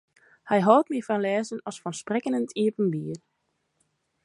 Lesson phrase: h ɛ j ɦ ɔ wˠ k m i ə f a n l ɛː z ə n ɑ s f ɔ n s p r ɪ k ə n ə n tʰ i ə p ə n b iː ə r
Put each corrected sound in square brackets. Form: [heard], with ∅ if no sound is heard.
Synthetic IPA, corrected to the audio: h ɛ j ɦ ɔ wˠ [t] m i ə f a n l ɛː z ə n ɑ s f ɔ n s p r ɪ k ə n ə n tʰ i ə p ə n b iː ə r

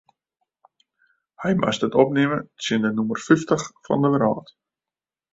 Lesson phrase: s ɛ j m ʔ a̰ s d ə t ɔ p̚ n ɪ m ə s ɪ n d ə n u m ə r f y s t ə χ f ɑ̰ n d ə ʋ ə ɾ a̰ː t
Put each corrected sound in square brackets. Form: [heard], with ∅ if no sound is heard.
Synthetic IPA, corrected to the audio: [h] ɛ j m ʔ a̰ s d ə t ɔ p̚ n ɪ m ə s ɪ n d ə n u m ə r f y [f] t ə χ f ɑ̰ n d ə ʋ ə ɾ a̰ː t

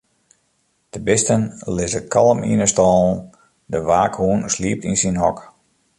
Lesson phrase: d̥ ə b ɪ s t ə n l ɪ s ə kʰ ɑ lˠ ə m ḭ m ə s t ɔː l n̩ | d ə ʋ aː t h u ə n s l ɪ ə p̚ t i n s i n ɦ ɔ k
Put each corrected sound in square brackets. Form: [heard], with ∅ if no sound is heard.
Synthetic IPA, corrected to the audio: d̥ ə b ɪ s t ə n l ɪ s ə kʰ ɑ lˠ ə m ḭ [n] ə s t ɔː l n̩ | d ə ʋ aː [k] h u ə n s l [i] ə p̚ t i n s i n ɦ ɔ k

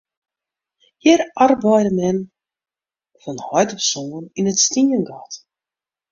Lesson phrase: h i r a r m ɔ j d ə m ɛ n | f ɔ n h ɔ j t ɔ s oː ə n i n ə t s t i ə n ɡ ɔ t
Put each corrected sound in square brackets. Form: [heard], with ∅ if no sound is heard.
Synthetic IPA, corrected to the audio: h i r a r [b] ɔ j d ə m ɛ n | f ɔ n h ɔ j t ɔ s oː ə n i n ə t s t i ə n ɡ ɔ t

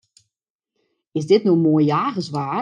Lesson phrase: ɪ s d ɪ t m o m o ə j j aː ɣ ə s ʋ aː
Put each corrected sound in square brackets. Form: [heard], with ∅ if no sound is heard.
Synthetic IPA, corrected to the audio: ɪ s d ɪ t [n] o m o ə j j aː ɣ ə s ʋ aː

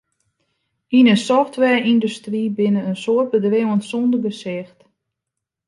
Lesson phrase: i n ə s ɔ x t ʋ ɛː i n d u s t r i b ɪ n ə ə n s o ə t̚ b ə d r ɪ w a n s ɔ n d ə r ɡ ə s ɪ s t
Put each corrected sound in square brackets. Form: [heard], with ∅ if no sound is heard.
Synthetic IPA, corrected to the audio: i n ə s ɔ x t ʋ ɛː i n d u s t r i b ɪ n ə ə n s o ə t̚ b ə d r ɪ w [ə] n s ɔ n d ə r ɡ ə s ɪ [x] t

